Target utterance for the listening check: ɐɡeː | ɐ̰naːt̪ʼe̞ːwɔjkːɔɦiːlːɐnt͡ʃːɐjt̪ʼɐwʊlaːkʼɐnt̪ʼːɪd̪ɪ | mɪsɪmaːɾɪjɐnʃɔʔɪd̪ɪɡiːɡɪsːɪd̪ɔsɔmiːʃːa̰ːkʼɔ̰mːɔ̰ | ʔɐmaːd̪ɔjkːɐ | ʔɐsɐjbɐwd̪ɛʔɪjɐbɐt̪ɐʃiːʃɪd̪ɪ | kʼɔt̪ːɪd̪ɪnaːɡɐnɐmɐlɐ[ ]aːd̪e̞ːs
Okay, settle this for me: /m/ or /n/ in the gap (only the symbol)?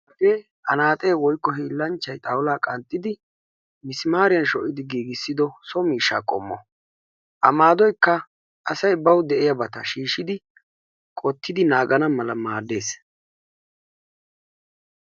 m